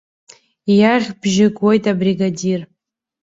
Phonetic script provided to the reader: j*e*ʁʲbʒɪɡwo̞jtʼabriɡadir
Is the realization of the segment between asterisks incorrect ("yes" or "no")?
yes